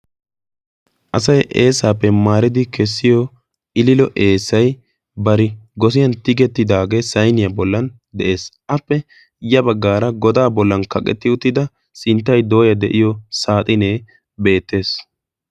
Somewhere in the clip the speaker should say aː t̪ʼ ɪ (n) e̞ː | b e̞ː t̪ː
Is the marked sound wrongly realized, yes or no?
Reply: no